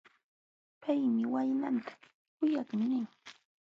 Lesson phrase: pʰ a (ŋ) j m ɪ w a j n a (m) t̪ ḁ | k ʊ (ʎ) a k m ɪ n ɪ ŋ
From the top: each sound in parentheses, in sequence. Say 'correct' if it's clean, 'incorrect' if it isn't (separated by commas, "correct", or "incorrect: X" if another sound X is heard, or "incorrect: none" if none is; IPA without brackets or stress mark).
incorrect: none, incorrect: n, incorrect: j